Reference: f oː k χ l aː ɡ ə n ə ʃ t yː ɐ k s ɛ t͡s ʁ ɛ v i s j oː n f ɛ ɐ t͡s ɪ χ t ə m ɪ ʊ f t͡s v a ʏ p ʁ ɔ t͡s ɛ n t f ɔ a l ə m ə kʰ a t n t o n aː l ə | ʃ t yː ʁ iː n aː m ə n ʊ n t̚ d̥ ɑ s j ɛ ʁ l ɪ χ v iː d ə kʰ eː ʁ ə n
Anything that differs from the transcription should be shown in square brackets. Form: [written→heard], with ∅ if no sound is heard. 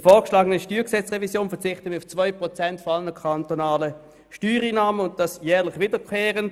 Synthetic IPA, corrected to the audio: f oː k [χ→ʃ] l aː ɡ ə n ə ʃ t yː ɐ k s ɛ t͡s ʁ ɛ v i s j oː n f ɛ ɐ t͡s ɪ χ t ə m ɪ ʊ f t͡s v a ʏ p ʁ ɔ t͡s ɛ n t f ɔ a l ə [m→n] ə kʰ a [t→∅] n t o n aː l ə | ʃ t yː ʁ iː n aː m ə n ʊ n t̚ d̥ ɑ s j [ɛ→ɛː] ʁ l ɪ χ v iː d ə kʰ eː ʁ ə n